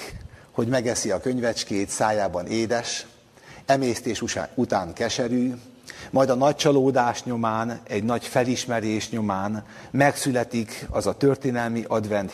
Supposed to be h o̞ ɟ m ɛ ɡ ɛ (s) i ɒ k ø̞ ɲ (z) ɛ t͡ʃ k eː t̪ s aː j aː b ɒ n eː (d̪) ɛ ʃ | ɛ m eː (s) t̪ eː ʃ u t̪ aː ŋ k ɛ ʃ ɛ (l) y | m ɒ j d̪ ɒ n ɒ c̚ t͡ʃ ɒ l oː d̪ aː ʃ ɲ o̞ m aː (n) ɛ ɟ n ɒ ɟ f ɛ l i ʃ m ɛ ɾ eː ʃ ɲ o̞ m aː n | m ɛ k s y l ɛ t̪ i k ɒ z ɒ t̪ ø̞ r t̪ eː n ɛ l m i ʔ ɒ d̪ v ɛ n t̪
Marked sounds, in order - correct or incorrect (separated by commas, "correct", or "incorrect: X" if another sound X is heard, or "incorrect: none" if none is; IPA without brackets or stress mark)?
correct, incorrect: v, correct, correct, incorrect: ɾ, correct